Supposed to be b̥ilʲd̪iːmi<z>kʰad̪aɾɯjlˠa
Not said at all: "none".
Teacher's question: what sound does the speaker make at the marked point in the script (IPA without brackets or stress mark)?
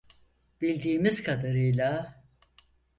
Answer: z